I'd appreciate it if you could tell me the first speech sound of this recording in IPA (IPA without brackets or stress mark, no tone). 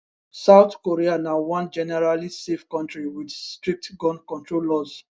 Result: s